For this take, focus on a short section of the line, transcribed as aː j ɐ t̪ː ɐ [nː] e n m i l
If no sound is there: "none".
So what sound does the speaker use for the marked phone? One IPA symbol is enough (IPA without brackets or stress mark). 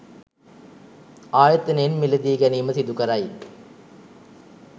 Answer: n